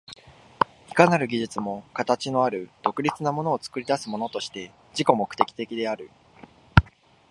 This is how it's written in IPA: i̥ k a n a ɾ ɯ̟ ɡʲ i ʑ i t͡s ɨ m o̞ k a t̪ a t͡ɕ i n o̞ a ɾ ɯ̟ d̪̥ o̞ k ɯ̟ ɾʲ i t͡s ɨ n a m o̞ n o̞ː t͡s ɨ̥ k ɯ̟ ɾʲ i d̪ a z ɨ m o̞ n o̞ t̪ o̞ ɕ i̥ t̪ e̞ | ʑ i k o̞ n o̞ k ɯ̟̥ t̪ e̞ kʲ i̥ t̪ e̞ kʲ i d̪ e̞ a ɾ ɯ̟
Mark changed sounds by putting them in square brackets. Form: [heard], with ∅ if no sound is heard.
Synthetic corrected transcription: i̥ k a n a ɾ ɯ̟ ɡʲ i ʑ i t͡s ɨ m o̞ k a t̪ a t͡ɕ i n o̞ a ɾ ɯ̟ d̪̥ o̞ k ɯ̟ ɾʲ i t͡s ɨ n a m o̞ n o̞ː t͡s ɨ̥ k ɯ̟ ɾʲ i d̪ a [s] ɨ m o̞ n o̞ t̪ o̞ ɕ i̥ t̪ e̞ | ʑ i k o̞ [m] o̞ k ɯ̟̥ t̪ e̞ kʲ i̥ t̪ e̞ kʲ i d̪ e̞ a ɾ ɯ̟